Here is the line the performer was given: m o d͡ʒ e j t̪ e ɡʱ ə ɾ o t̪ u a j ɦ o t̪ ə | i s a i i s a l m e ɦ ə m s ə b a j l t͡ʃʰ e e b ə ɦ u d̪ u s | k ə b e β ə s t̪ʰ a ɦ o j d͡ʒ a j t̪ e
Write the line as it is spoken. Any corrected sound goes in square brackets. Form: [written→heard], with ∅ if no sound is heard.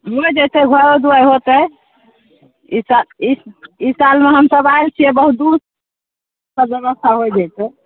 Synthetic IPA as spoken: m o d͡ʒ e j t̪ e ɡʱ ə ɾ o [t̪→d̪] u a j ɦ o t̪ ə | i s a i i s a l m e ɦ ə m s ə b a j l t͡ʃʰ [e→i] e b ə ɦ u d̪ u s | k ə b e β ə s t̪ʰ a ɦ o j d͡ʒ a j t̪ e